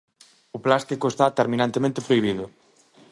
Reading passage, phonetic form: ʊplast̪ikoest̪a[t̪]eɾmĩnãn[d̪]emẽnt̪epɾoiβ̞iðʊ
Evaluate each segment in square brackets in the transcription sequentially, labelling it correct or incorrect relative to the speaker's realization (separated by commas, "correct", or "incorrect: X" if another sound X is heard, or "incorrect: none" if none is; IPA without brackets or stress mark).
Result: correct, incorrect: t̪